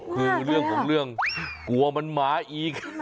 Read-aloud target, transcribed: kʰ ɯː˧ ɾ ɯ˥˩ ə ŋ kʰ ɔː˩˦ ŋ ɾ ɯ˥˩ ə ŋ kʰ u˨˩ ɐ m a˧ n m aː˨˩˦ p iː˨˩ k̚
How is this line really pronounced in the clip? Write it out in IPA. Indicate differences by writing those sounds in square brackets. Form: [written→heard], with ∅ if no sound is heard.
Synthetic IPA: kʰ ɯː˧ ɾ ɯ˥˩ ə ŋ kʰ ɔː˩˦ ŋ ɾ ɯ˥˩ ə ŋ [kʰ→k] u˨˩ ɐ m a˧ n m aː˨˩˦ [p→ʔ] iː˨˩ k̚